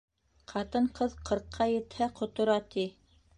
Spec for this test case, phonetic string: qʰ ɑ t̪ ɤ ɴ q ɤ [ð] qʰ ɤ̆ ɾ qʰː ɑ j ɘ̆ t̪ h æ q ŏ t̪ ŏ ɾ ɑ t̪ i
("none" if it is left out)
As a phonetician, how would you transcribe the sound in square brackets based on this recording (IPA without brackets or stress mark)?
ð